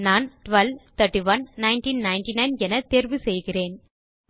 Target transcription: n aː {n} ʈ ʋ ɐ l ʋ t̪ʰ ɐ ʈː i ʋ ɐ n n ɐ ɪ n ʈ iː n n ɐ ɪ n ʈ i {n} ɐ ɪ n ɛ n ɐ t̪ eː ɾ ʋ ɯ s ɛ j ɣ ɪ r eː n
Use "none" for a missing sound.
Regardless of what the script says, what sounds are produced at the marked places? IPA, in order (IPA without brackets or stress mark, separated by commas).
n, n